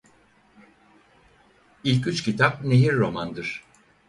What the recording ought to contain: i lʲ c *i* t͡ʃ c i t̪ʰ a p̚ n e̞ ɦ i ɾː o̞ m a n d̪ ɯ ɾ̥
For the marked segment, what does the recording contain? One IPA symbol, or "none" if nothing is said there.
y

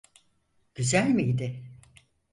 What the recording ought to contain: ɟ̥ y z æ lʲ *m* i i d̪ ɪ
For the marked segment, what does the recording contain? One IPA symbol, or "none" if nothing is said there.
m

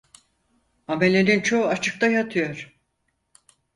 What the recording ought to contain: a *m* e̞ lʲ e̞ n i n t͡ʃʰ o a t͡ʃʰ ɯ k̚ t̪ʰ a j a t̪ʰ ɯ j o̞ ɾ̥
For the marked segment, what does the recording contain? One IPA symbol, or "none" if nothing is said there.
m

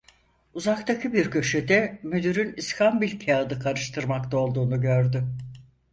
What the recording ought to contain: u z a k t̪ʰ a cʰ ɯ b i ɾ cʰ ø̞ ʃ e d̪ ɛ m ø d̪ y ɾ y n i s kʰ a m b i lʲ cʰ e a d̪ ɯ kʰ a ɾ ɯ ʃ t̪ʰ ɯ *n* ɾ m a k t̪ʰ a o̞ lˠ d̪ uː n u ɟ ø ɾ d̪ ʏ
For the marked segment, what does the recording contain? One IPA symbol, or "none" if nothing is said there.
none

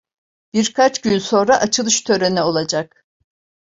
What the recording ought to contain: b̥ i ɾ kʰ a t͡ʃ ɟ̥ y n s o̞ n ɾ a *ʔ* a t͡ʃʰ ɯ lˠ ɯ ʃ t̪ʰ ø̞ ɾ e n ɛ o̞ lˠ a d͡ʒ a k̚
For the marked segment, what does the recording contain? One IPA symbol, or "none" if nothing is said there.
ʔ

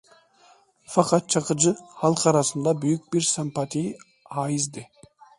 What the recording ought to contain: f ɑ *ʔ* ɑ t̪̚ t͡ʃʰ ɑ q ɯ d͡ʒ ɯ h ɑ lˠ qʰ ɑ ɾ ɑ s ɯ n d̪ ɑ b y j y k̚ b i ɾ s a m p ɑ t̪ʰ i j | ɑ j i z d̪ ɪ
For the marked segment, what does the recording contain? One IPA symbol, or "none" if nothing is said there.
q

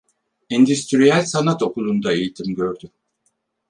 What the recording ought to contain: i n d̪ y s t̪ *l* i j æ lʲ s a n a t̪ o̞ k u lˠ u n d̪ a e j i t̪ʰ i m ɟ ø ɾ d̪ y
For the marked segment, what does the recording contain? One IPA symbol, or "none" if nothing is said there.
ɾ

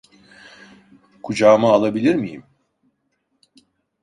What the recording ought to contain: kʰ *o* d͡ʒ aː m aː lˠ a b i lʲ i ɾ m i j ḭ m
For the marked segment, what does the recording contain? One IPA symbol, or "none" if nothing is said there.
u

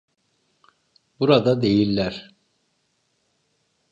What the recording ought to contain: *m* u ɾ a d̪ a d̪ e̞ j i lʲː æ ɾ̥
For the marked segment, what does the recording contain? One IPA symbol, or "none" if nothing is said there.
b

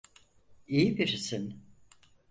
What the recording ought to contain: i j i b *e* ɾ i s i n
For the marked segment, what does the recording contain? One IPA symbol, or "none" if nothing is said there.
i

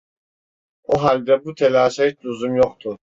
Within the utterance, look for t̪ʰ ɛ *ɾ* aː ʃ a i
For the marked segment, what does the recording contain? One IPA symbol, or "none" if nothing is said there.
l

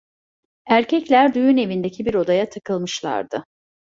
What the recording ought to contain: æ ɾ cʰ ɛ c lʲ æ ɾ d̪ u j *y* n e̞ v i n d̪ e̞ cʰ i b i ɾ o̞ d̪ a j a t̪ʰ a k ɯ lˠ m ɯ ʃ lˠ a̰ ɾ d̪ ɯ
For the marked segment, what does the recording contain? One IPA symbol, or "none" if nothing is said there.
y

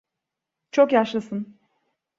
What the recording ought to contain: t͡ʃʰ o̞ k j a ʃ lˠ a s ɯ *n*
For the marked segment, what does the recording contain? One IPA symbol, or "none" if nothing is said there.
n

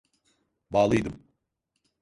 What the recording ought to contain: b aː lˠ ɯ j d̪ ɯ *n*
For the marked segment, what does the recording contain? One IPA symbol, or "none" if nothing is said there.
m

